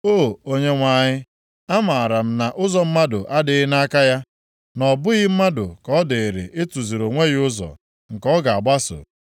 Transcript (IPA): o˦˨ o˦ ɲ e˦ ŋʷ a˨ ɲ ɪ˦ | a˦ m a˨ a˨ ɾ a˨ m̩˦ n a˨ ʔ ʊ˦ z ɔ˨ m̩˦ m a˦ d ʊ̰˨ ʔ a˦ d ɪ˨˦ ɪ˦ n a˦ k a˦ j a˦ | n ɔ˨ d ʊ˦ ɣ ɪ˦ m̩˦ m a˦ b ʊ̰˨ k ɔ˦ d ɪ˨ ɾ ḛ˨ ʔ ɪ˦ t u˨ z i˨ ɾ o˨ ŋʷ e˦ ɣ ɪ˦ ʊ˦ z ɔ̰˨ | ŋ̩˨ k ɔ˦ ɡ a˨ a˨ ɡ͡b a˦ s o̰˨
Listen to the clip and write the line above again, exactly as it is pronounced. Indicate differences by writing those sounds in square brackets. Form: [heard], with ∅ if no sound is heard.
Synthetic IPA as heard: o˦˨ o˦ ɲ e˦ ŋʷ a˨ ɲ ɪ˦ | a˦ m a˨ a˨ ɾ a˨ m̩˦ n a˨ ʔ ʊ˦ z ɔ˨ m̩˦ m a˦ d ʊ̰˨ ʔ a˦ d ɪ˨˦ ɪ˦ n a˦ k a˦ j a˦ | n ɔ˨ [b] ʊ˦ ɣ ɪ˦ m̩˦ m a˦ [d] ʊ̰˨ k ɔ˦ d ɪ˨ ɾ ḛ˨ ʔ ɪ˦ t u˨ z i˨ ɾ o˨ ŋʷ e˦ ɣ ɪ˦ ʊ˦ z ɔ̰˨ | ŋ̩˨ k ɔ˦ ɡ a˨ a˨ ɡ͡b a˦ s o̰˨